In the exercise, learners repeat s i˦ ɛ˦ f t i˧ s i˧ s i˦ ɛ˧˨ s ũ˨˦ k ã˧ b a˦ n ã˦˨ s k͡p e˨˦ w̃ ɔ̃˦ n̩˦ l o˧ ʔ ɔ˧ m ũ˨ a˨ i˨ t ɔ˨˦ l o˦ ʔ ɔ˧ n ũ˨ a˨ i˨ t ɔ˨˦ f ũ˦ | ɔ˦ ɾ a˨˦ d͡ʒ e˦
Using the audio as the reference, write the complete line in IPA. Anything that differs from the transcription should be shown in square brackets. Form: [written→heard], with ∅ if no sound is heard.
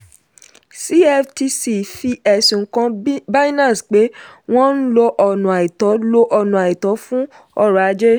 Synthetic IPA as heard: s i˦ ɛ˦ f t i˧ s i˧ [s→f] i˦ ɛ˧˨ s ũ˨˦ k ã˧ b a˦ n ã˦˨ s k͡p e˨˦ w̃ ɔ̃˦ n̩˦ l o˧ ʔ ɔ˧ [m→n] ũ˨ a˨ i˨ t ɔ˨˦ l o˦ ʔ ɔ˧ n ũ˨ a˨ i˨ t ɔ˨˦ f ũ˦ | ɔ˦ ɾ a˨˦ d͡ʒ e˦